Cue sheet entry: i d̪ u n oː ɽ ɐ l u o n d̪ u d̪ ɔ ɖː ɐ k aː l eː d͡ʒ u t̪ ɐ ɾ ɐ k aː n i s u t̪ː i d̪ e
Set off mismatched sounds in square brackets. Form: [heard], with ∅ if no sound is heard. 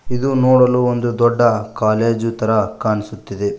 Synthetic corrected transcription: i d̪ u n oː ɽ ɐ l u o n d̪ u d̪ ɔ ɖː ɐ k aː l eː d͡ʒ u t̪ ɐ ɾ ɐ k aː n i s u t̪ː i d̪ e